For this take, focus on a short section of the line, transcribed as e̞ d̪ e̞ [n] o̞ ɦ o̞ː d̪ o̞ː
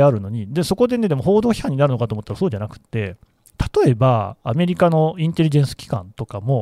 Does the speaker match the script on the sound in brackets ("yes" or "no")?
no